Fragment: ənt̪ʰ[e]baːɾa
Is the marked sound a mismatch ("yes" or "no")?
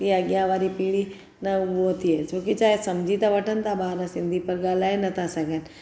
yes